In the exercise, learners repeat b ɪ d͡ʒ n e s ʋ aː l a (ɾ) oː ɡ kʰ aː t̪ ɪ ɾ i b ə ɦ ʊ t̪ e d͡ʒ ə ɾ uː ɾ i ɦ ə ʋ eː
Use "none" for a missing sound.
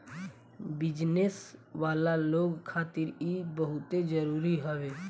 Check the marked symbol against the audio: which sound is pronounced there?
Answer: l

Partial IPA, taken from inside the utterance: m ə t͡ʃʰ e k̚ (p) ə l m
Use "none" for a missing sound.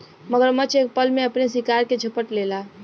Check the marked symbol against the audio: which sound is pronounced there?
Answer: p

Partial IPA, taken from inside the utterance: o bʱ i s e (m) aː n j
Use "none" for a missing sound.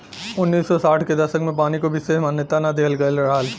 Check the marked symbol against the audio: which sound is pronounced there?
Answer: m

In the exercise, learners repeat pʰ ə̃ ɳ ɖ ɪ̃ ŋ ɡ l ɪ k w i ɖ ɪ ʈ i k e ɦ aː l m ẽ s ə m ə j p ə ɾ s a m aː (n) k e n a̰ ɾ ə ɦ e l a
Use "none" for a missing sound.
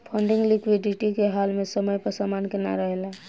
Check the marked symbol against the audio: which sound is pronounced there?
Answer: n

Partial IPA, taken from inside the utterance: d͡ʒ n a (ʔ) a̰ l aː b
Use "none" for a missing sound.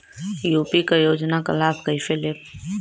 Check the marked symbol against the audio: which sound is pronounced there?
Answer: k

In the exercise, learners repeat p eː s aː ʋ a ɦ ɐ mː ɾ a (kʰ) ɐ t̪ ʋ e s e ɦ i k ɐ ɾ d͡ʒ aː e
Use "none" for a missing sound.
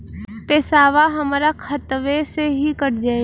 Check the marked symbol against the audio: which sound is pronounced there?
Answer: kʰ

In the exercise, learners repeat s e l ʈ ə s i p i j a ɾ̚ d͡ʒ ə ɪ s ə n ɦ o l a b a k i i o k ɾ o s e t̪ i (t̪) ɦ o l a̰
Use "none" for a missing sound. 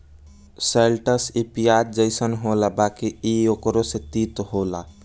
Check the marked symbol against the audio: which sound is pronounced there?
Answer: t̪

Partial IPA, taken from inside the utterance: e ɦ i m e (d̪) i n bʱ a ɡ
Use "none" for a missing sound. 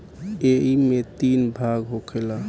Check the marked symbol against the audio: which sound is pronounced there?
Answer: t̪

